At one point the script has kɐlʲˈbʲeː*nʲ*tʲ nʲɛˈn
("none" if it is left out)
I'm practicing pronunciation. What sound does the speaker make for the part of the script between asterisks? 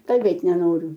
none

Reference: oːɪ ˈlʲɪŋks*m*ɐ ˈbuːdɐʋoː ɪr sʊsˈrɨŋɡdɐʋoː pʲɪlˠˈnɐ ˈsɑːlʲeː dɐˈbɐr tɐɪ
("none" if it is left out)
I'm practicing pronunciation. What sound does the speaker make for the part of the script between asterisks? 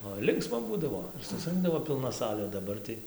m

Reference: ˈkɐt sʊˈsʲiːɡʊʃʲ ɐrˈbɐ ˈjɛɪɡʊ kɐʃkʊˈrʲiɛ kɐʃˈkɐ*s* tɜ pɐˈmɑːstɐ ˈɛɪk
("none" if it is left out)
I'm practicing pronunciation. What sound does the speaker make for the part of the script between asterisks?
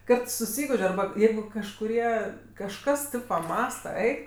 s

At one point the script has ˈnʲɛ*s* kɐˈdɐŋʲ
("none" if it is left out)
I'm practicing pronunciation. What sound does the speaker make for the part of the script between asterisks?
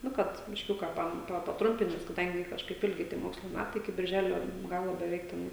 s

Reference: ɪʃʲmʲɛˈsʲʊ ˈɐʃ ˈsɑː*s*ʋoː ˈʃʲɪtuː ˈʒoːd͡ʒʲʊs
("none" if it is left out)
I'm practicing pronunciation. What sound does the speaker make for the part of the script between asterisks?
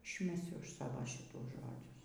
none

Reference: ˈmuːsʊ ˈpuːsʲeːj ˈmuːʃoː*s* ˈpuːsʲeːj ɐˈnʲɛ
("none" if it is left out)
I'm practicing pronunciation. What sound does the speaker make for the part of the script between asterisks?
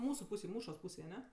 s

